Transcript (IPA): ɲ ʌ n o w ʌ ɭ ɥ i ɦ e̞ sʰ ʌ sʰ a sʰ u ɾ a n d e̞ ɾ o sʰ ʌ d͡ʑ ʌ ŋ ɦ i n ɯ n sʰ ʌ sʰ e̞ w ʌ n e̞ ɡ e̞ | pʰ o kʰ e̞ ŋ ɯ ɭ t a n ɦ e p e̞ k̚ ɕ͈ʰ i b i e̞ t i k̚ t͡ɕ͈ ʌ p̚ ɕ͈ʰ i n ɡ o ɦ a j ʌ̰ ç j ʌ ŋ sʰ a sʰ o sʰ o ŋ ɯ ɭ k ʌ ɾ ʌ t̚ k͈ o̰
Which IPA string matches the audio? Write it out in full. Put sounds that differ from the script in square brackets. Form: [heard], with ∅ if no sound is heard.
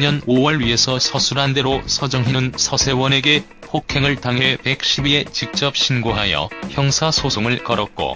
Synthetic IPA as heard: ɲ ʌ n o w ʌ ɭ ɥ i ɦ e̞ sʰ ʌ sʰ [ʌ] sʰ u ɾ a n d e̞ ɾ o sʰ ʌ d͡ʑ ʌ ŋ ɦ i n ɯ n sʰ ʌ sʰ e̞ w ʌ n e̞ ɡ e̞ | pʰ o kʰ e̞ ŋ ɯ ɭ t a [ŋ] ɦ e p e̞ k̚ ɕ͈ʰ i b i e̞ [t͡ɕ] i k̚ t͡ɕ͈ ʌ p̚ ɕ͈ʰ i n ɡ o ɦ a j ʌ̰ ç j ʌ ŋ sʰ a sʰ o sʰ o ŋ ɯ ɭ k ʌ ɾ ʌ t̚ k͈ o̰